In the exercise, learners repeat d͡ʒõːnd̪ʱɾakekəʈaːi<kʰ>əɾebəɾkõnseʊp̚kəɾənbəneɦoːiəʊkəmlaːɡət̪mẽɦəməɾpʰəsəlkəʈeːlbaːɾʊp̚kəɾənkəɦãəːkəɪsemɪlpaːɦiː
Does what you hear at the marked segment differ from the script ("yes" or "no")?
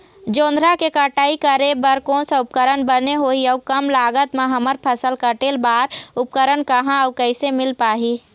yes